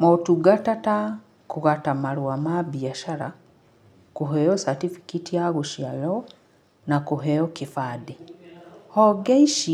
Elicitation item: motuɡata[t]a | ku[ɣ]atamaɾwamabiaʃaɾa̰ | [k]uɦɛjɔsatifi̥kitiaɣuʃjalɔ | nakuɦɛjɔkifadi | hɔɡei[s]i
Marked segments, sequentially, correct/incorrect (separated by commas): correct, correct, correct, incorrect